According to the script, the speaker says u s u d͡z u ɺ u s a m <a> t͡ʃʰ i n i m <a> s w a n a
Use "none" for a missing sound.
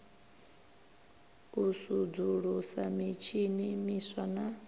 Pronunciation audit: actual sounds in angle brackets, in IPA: i, i

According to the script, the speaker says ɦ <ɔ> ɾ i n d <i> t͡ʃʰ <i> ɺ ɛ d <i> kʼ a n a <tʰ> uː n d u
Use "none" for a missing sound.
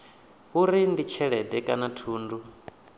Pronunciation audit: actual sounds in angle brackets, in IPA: u, i, ɛ, ɛ, tʰ

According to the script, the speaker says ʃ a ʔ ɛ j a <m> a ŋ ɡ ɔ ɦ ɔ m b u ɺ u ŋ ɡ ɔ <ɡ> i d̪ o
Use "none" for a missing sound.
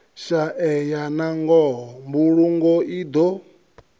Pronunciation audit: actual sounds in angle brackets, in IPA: n, none

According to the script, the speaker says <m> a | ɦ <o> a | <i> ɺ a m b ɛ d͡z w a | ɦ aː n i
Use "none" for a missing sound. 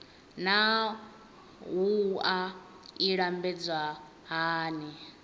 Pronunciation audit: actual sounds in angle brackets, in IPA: n, u, i

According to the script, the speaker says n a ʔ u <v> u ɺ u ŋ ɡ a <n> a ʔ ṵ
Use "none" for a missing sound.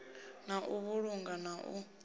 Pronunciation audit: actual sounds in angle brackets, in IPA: β, n

